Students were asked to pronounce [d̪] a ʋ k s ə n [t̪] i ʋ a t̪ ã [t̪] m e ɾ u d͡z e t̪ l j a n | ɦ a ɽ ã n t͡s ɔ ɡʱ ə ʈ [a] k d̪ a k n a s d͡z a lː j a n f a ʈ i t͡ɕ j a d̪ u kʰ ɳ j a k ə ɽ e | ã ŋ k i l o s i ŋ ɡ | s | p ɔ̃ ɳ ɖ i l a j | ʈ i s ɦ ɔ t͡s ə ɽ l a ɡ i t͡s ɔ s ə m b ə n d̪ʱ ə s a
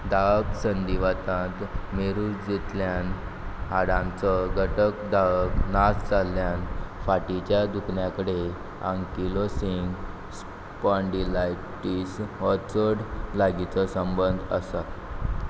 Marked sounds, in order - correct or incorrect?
correct, incorrect: d̪, correct, incorrect: ə

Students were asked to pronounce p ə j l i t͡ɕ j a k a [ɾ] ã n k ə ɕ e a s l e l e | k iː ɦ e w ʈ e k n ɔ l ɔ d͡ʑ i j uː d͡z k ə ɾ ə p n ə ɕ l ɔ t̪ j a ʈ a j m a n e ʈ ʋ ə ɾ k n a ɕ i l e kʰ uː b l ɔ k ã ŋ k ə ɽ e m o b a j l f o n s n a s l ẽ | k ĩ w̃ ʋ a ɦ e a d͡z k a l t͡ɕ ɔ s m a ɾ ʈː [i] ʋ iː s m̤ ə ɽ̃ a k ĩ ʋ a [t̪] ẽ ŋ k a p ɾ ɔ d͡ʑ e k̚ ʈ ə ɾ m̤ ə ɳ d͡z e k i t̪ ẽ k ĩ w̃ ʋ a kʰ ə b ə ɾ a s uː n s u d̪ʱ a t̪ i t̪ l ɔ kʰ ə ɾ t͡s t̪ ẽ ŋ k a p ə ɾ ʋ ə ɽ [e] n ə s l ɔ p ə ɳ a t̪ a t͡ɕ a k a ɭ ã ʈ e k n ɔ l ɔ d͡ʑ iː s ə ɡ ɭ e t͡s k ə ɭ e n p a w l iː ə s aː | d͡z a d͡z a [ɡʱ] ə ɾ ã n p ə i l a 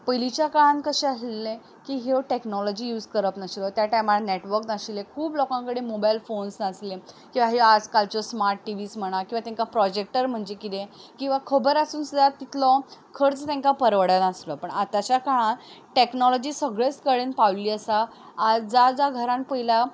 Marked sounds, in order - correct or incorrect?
incorrect: ɭ, correct, correct, incorrect: a, correct

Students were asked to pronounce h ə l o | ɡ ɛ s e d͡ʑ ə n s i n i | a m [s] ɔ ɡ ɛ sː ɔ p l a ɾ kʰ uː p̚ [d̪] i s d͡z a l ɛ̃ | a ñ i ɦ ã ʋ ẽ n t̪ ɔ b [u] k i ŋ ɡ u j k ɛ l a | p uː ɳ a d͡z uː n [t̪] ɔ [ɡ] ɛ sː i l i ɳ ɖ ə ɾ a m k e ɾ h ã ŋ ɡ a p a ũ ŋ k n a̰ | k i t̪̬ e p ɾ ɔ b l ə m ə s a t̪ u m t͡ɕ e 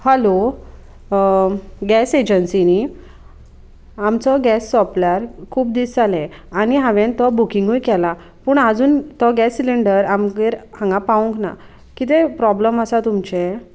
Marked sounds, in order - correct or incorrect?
incorrect: t͡s, correct, correct, correct, correct

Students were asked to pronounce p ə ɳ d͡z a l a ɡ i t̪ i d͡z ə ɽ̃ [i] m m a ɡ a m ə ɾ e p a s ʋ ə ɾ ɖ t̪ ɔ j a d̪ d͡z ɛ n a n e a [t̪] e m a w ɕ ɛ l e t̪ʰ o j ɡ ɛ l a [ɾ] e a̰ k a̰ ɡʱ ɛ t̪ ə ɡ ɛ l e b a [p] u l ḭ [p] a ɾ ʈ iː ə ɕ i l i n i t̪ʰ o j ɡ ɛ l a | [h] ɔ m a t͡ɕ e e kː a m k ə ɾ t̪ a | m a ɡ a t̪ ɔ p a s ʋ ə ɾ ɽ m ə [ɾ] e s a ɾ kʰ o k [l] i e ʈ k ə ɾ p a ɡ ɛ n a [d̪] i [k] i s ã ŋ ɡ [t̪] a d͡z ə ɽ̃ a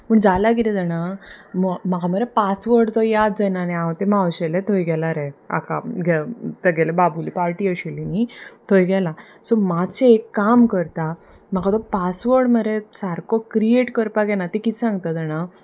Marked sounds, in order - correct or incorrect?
incorrect: a, correct, correct, incorrect: b, correct, incorrect: s, correct, incorrect: ɾ, incorrect: t̪, correct, correct

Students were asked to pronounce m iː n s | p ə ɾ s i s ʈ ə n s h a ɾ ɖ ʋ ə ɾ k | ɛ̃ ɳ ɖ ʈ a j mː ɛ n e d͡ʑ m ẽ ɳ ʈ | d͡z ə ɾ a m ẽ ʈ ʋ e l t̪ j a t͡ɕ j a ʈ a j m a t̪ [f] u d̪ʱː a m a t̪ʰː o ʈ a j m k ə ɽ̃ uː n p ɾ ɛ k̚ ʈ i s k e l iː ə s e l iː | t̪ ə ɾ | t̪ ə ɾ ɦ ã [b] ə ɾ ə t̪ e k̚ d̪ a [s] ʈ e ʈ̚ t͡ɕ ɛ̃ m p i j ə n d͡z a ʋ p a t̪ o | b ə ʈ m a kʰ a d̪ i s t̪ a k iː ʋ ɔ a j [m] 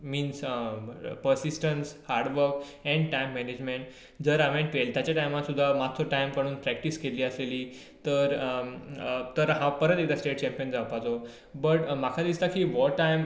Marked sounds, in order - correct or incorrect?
incorrect: s, incorrect: p, correct, correct

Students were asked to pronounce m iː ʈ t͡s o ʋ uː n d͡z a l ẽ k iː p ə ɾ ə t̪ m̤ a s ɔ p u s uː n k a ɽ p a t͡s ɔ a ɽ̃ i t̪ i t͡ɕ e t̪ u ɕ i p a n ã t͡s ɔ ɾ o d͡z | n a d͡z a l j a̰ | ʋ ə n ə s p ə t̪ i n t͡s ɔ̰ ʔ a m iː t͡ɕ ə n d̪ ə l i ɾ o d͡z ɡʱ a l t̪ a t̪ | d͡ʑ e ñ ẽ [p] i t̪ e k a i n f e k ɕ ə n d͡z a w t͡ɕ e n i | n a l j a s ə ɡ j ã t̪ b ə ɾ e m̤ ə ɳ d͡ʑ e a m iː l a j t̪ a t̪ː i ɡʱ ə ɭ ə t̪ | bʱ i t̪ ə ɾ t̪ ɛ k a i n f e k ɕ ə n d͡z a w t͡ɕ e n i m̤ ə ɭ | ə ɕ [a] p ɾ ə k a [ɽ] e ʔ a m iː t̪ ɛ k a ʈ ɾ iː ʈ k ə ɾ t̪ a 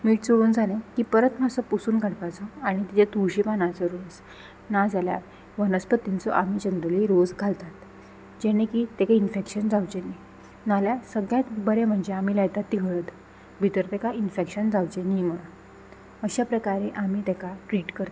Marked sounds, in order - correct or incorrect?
incorrect: k, correct, incorrect: ɾ

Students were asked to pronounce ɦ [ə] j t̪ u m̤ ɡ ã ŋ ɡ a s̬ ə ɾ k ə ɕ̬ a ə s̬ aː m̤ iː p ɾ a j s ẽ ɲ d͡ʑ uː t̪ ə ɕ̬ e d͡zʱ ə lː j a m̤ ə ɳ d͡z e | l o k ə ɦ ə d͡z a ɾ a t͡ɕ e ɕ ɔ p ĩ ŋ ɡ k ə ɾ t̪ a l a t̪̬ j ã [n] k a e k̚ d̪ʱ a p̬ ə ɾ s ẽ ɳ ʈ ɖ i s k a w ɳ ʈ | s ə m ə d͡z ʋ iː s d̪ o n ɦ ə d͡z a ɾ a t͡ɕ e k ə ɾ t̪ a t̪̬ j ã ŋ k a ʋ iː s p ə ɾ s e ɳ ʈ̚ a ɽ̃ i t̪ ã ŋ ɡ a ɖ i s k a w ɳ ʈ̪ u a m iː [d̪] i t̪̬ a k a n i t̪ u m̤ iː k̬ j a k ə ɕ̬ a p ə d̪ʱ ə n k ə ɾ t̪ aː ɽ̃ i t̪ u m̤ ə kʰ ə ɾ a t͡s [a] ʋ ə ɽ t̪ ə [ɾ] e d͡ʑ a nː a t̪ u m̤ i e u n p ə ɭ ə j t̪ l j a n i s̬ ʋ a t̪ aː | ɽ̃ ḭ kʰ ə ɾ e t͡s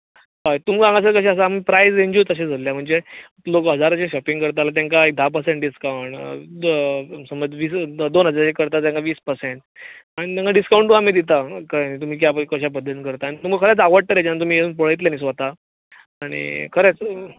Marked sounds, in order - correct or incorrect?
incorrect: a, incorrect: ŋ, correct, correct, correct

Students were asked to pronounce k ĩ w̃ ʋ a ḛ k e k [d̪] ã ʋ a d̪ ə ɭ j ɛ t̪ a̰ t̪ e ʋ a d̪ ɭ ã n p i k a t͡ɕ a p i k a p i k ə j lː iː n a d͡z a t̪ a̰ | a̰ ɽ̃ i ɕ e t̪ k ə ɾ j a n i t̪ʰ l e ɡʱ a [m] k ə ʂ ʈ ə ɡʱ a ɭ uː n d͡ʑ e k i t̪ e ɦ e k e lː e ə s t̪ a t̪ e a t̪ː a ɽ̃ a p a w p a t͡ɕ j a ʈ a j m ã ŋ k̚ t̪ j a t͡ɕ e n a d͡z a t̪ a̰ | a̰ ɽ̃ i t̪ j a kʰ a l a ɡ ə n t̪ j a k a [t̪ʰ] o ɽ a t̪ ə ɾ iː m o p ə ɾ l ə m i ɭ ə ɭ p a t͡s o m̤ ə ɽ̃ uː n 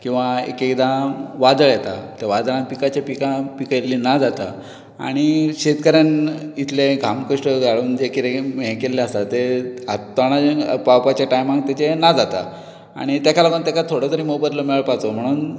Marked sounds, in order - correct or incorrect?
correct, correct, correct

